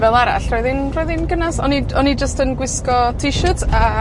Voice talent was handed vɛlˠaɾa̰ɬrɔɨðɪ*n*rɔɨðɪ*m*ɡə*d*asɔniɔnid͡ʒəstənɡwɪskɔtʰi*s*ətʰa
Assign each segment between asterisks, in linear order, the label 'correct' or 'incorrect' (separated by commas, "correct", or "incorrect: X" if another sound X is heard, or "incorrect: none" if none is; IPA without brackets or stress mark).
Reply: correct, incorrect: n, incorrect: n, incorrect: ʃ